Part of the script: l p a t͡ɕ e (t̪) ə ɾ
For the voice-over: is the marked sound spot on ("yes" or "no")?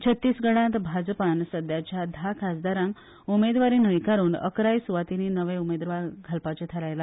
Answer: no